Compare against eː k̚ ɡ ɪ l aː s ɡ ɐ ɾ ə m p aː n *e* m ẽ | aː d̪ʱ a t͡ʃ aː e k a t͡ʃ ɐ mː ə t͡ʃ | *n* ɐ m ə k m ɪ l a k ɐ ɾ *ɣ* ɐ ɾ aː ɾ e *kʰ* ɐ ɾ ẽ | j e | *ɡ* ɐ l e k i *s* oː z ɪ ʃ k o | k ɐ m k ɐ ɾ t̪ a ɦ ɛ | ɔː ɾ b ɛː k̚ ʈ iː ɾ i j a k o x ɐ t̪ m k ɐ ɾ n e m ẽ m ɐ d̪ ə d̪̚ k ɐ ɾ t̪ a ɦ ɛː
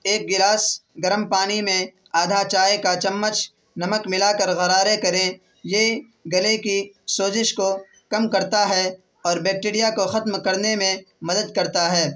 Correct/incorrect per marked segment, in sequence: incorrect: i, correct, correct, incorrect: k, correct, correct

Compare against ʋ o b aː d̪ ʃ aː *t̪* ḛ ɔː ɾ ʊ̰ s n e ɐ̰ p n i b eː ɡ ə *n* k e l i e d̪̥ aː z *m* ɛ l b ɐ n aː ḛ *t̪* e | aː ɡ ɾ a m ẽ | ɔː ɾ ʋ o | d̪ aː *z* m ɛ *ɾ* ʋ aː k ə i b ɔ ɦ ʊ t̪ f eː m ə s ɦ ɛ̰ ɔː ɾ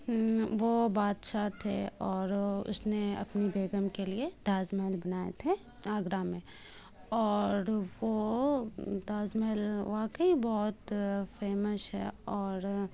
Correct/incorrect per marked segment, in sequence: incorrect: t̪ʰ, incorrect: m, correct, incorrect: t̪ʰ, correct, incorrect: l

